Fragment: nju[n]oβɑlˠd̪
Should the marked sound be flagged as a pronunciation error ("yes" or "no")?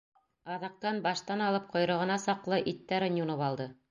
no